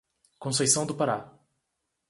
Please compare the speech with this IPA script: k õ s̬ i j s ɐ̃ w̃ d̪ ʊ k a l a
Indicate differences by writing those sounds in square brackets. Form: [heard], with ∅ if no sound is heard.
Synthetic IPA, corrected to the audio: k õ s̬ [e] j s ɐ̃ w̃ d̪ ʊ [p] a [ɾ] a